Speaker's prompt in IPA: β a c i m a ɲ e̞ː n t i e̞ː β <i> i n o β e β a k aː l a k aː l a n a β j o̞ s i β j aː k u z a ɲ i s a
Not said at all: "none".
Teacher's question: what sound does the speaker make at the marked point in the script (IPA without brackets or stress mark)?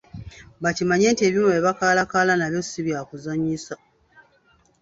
j